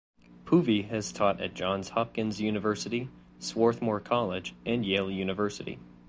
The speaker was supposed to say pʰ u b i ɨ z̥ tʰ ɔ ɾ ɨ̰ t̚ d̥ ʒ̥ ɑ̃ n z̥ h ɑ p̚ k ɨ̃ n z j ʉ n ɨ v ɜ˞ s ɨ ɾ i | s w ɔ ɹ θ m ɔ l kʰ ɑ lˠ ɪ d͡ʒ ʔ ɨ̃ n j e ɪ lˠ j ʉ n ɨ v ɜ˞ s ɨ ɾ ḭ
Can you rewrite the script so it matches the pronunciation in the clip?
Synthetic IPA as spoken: pʰ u v i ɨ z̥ tʰ ɔ ɾ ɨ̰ t̚ d̥ ʒ̥ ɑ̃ n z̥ h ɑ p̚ k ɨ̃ n z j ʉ n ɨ v ɜ˞ s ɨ ɾ i | s w ɔ ɹ θ m ɔ ɹ kʰ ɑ lˠ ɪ d͡ʒ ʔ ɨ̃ n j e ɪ lˠ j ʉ n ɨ v ɜ˞ s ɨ ɾ ḭ